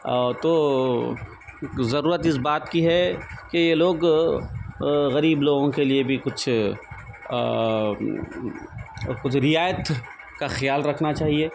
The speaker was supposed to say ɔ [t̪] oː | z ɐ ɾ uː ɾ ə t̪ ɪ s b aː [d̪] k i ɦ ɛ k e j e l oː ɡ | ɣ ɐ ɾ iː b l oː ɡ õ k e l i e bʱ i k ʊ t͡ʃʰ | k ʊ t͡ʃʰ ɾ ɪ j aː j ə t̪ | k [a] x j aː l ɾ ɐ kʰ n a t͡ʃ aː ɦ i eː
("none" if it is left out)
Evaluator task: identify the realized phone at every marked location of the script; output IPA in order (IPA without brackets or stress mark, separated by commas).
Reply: t̪, t̪, a